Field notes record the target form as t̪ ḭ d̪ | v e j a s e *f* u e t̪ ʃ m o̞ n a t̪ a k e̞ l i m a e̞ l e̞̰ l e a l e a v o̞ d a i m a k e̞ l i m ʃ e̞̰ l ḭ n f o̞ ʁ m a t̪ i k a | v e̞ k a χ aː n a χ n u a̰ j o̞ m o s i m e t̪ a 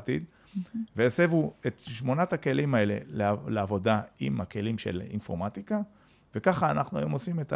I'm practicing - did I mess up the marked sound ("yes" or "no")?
yes